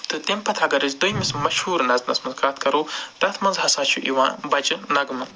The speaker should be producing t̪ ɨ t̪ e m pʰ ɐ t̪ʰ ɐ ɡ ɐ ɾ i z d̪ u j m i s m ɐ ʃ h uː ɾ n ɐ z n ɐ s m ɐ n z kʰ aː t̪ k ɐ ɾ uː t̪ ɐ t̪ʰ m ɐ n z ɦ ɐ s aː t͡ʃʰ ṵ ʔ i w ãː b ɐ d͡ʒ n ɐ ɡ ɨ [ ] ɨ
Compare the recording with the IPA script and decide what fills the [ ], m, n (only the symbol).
m